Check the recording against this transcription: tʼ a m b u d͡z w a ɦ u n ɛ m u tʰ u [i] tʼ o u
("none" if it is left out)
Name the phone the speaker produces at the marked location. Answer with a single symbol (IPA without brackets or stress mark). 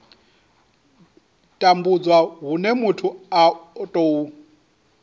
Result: a